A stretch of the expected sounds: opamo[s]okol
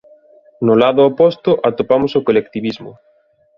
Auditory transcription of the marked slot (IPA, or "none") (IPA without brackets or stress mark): s